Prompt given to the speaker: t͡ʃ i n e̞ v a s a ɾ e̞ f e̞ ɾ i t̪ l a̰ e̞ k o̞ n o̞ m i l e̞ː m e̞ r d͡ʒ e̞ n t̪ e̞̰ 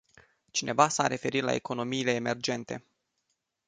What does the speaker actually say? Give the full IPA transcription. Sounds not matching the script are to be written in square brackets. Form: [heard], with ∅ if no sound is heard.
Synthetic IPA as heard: t͡ʃ i n e̞ v a s a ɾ e̞ f e̞ ɾ i t̪ l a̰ e̞ k o̞ n o̞ m [iː] l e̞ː m e̞ r d͡ʒ e̞ n t̪ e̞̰